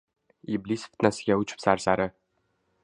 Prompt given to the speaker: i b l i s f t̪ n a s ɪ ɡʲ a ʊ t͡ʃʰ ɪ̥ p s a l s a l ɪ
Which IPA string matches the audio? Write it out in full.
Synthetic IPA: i b l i s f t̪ n a s ɪ ɡʲ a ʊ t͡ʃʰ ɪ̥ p s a ɾ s a ɾ ɪ